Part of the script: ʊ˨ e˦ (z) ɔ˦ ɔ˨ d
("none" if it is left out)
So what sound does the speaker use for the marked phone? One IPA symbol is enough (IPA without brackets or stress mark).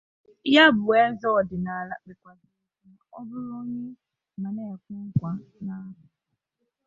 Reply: z